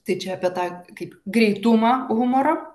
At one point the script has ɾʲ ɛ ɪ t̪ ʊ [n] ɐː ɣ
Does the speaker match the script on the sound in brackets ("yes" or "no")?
no